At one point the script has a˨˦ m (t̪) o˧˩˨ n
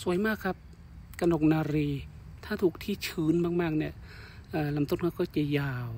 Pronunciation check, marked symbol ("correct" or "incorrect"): correct